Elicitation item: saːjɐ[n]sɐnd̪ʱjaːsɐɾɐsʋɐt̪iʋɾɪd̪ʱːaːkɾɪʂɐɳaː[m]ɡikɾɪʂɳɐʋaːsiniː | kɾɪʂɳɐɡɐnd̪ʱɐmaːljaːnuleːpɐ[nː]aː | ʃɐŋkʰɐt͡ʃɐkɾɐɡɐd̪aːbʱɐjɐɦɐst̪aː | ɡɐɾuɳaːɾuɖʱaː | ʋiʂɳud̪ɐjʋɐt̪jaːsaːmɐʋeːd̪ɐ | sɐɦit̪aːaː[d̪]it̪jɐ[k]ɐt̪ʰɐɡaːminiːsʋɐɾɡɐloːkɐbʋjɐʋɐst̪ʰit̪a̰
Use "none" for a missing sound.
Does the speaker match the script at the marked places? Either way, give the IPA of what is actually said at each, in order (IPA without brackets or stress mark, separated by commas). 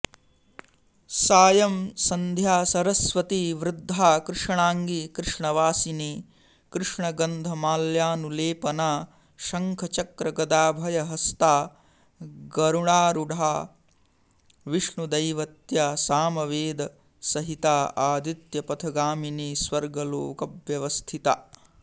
m, ŋ, n, d̪, p